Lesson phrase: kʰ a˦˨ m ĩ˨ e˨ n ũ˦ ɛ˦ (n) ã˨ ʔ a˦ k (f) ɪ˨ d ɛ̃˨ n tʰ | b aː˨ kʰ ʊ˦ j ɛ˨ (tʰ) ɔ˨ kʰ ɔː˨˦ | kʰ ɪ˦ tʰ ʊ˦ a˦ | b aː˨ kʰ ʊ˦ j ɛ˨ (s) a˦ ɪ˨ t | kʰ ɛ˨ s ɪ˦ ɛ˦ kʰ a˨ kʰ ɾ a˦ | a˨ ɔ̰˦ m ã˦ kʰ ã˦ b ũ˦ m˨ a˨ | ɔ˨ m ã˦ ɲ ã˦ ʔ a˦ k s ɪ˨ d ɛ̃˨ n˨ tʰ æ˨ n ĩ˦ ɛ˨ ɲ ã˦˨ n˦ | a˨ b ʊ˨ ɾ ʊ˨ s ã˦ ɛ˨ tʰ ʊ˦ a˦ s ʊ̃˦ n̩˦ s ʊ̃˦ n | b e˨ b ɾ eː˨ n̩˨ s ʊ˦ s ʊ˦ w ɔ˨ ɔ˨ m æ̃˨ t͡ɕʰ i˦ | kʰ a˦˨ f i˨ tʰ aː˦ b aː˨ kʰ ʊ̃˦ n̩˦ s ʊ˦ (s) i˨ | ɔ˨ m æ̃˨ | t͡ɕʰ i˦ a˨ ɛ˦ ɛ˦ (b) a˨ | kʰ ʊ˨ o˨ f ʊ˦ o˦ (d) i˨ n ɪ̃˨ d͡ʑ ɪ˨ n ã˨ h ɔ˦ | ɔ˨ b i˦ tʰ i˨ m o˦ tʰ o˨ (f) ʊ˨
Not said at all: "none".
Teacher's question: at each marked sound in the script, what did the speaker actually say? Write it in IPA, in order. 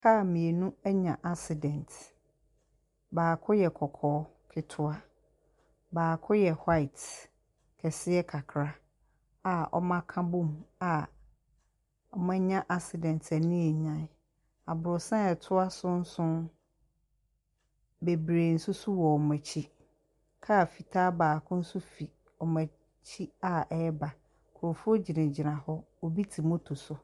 ɲ, s, kʰ, h, f, b, d͡ʑ, s

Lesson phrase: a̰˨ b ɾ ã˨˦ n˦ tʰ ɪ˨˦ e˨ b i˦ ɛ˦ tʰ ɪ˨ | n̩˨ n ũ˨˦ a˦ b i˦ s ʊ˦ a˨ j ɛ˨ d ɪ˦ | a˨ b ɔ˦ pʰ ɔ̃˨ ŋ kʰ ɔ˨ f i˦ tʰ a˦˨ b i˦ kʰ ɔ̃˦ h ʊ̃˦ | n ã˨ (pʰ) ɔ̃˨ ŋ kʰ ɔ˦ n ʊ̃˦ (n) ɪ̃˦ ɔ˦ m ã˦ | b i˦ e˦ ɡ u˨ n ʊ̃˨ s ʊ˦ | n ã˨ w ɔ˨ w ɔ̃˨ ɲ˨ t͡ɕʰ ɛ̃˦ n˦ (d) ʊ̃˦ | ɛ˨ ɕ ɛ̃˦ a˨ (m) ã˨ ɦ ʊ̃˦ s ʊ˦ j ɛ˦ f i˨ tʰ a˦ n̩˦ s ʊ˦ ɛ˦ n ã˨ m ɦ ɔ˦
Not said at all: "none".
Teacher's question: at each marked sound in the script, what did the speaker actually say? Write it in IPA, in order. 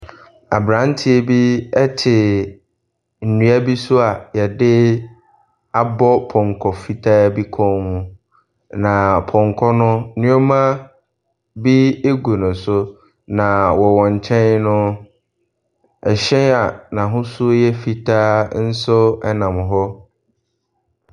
pʰ, n, n, n

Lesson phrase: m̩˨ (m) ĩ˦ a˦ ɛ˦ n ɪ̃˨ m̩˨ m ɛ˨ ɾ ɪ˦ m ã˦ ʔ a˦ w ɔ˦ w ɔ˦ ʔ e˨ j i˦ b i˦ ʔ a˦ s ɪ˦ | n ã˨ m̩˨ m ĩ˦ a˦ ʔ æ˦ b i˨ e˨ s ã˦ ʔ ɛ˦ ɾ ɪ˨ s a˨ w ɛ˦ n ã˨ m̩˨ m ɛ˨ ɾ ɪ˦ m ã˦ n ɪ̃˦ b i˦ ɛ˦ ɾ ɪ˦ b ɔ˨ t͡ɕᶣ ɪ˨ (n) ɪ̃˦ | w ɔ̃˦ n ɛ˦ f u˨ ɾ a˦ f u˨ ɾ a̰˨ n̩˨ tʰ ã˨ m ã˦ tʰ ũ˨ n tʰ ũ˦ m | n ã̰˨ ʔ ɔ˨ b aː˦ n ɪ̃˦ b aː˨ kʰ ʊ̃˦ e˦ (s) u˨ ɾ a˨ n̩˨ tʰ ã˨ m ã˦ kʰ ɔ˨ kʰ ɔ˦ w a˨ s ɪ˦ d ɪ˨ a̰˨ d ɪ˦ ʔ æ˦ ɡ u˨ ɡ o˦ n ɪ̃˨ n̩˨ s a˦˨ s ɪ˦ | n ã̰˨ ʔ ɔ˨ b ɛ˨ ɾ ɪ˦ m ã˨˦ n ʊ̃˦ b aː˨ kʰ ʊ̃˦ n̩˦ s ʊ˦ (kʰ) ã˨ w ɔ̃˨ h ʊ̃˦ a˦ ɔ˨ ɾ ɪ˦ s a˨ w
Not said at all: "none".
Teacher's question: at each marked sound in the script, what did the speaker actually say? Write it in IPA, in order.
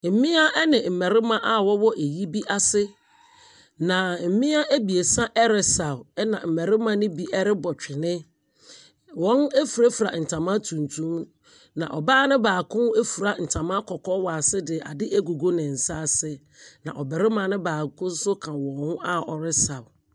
m, n, f, kʰ

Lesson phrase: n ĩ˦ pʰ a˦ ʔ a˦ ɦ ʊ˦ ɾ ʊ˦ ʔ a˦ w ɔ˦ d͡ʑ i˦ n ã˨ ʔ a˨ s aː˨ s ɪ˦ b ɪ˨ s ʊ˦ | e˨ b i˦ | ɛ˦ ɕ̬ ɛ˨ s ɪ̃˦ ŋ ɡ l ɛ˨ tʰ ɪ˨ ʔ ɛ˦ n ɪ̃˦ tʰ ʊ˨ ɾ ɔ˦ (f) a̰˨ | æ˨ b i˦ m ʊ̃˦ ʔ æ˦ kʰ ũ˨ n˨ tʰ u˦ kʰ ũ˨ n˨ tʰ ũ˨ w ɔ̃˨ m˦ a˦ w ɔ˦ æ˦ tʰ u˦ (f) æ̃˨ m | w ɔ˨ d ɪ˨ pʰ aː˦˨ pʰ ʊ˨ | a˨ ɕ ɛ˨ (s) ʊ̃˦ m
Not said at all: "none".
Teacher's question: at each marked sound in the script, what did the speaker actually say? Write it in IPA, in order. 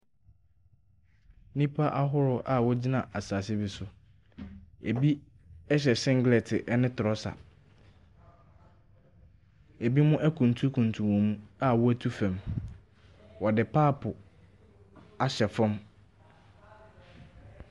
s, f, f

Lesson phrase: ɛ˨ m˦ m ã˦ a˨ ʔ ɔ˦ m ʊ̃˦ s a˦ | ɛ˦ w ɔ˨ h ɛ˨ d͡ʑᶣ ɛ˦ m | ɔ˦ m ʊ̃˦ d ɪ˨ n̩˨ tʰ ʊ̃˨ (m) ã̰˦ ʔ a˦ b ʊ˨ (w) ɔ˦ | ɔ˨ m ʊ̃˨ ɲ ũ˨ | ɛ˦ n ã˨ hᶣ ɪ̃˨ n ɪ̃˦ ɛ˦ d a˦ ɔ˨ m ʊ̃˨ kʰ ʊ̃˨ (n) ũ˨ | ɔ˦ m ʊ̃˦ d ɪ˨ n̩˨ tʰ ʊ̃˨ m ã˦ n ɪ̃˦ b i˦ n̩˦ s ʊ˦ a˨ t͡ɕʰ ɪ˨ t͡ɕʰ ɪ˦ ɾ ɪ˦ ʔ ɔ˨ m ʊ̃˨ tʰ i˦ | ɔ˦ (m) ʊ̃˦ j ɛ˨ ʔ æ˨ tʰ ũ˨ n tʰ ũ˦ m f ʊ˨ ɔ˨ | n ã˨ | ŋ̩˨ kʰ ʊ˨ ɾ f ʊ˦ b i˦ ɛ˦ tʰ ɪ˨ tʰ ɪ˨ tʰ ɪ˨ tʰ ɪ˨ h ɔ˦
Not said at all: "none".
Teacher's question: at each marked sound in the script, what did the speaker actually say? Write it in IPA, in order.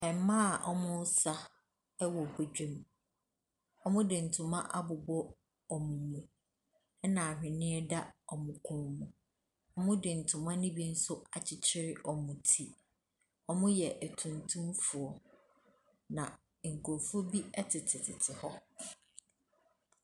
m, b, m, m

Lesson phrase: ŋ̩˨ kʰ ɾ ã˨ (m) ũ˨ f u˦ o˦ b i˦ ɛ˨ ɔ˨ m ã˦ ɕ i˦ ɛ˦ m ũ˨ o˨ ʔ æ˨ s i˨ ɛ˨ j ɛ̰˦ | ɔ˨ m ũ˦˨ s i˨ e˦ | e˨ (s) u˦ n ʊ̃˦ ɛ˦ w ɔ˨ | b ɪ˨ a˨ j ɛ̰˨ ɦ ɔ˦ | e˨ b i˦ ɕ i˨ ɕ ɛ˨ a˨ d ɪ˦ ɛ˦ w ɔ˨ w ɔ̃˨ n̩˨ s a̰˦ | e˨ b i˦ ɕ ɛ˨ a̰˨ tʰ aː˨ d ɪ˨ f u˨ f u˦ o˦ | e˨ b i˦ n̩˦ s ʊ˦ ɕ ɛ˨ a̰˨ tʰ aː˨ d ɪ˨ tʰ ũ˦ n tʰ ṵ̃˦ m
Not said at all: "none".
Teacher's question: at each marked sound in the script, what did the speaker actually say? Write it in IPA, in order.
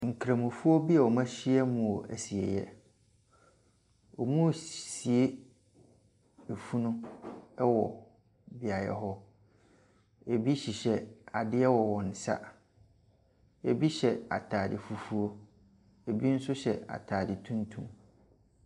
m, f

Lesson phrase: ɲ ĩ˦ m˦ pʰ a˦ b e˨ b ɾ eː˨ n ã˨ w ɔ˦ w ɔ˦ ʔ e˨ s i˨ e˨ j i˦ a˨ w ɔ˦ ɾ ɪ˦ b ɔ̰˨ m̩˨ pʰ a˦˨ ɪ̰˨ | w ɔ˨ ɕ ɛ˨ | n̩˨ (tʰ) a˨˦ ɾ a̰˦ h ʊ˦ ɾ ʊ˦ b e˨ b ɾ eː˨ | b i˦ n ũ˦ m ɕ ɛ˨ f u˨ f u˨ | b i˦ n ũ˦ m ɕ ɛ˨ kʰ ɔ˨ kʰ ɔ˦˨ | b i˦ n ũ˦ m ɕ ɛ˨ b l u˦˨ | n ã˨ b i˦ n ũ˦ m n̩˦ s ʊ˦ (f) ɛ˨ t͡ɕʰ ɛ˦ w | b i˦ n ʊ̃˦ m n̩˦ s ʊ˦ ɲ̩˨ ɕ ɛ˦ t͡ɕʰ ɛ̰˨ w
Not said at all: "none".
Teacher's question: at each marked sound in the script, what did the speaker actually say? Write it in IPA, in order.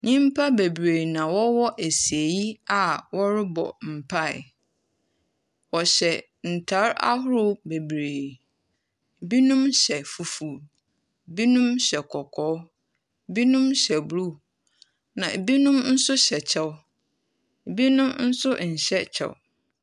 tʰ, ɕ

